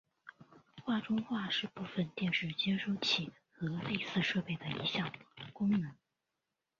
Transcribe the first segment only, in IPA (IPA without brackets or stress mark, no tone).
x